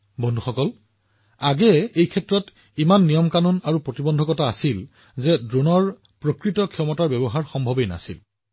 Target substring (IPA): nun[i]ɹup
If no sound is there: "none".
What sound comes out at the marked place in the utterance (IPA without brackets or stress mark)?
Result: a